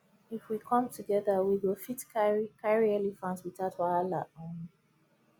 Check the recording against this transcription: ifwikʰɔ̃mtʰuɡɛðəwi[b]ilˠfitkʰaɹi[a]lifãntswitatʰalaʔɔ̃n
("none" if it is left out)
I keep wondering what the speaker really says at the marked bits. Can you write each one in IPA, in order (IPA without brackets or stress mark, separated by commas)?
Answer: w, ɛ